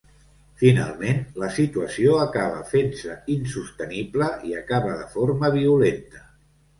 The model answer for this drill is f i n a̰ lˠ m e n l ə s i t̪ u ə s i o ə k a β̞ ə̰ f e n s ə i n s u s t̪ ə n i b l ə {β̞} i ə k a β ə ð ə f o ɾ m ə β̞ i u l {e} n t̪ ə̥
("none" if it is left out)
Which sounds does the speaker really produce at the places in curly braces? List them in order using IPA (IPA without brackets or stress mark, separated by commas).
none, e